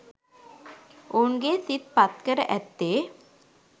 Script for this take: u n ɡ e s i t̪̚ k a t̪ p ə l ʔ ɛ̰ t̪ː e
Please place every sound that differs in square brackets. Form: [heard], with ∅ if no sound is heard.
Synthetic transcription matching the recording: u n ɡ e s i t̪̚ [p] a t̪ [k] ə [ɾ] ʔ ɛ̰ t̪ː e

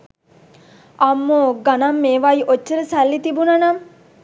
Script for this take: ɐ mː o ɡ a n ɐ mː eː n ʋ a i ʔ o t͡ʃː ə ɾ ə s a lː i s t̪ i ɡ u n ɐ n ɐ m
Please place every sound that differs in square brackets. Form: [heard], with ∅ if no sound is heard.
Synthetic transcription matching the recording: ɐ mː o ɡ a n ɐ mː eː [∅] ʋ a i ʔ o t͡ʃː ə ɾ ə s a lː i [∅] t̪ i [b] u n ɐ n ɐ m

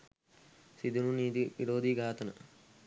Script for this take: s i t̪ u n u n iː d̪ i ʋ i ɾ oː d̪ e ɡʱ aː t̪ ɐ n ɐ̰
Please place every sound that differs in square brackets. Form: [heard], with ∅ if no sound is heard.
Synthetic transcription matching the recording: s i [d̪] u n u n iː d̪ i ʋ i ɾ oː d̪ [i] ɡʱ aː t̪ ɐ n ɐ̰

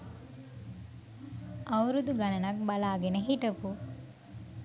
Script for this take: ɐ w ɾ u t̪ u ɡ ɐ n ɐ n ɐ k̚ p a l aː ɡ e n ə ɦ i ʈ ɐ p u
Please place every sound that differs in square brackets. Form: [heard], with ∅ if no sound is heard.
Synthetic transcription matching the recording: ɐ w ɾ u [d̪] u ɡ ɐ n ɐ n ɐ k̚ [b] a l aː ɡ e n ə ɦ i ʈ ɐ p u

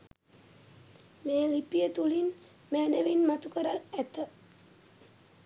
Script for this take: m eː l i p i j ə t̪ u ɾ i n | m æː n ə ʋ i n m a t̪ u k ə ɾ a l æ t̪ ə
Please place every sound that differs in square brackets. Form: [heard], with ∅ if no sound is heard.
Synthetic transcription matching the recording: m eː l i p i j ə t̪ u [l] i n | m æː n ə ʋ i n m a t̪ u k ə ɾ a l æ t̪ ə

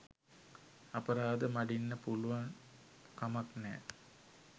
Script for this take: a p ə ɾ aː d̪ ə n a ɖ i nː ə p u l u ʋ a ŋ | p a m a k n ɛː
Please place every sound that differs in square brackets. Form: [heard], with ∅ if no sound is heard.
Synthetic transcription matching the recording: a p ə ɾ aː d̪ ə [m] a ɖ i nː ə p u l u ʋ a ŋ | [k] a m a k n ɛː

